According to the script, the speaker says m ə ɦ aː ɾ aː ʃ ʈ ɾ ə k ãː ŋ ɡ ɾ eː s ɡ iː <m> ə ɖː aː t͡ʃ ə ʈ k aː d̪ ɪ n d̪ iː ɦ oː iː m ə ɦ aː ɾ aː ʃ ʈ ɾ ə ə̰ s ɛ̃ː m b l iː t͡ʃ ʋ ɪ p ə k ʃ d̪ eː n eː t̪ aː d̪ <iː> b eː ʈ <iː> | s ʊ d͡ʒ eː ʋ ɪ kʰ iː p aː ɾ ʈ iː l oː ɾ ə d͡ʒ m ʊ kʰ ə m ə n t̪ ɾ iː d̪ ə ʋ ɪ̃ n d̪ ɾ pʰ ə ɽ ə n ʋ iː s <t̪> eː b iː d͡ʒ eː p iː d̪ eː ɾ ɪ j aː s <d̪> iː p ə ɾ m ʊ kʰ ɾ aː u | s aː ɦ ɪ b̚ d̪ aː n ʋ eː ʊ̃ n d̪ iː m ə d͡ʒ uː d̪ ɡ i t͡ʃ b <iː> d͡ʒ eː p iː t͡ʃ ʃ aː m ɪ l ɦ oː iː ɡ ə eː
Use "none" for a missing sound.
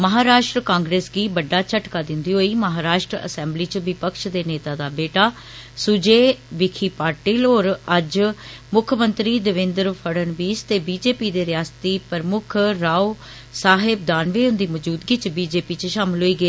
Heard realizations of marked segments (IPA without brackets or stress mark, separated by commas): b, aː, aː, t̪, t̪, iː